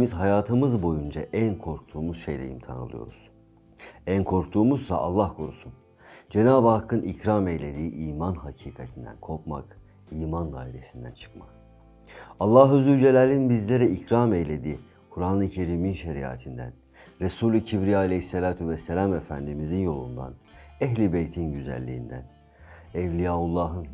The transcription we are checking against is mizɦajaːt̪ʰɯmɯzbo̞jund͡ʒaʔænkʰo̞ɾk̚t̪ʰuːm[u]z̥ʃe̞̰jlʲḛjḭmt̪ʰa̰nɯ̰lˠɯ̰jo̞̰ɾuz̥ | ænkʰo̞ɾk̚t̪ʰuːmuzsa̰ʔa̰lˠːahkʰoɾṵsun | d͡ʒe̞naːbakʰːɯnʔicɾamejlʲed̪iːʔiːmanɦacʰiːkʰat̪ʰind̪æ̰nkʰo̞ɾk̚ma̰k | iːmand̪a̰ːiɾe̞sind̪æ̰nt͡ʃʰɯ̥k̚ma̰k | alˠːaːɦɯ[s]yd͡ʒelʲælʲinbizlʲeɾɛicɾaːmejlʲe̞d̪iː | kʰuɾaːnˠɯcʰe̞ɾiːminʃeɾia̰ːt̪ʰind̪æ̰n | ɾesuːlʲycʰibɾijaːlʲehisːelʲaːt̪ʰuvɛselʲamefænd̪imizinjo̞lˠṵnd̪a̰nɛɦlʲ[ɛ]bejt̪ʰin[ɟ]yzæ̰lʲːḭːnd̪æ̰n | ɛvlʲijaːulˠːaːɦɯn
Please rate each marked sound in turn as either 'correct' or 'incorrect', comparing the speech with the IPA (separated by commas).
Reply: correct, incorrect, incorrect, correct